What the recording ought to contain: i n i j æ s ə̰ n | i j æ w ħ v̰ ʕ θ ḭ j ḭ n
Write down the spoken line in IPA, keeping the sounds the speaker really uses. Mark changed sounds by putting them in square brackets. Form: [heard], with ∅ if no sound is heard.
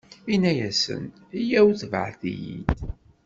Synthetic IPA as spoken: i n [æ] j æ s ə̰ n | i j æ w [θ] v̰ ʕ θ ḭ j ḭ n